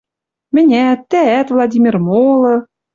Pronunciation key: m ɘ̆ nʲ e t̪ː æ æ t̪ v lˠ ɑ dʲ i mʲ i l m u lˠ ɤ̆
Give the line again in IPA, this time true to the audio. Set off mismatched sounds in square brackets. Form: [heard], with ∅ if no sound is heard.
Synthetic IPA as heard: m ɘ̆ nʲ [æ] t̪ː æ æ t̪ v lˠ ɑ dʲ i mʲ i [r] m [o] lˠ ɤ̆